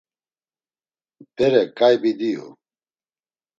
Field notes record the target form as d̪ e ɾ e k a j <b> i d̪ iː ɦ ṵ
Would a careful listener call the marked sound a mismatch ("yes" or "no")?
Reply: no